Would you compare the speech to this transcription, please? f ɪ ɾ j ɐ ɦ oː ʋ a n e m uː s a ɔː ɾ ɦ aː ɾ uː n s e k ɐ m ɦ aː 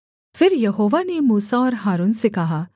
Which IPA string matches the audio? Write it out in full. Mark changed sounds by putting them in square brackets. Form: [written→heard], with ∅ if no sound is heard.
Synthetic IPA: f ɪ ɾ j ɐ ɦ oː ʋ a n e m uː s a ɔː ɾ ɦ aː ɾ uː n s e k ɐ [m→∅] ɦ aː